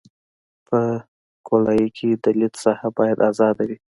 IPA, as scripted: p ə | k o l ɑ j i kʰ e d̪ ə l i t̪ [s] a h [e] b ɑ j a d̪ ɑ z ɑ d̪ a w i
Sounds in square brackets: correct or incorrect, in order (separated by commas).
correct, incorrect